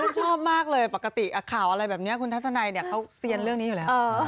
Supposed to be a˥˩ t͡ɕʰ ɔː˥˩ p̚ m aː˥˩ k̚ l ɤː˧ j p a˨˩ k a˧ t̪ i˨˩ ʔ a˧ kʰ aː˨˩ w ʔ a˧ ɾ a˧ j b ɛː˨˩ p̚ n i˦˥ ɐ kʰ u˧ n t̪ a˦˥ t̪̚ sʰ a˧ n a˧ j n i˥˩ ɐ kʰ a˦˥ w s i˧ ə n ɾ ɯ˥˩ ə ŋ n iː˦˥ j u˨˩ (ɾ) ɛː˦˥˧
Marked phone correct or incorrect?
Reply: incorrect